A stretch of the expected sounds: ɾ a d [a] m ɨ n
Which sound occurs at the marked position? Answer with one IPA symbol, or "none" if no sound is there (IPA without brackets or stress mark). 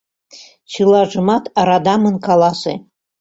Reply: a